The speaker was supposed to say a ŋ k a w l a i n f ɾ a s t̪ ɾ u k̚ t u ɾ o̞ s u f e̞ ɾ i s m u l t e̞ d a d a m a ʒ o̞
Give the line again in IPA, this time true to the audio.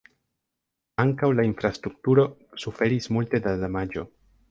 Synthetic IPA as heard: a ŋ k a w l a i n f ɾ a s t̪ ɾ u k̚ t u ɾ o̞ s u f e̞ ɾ i s m u l t e̞ d a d a m a d͡ʒ o̞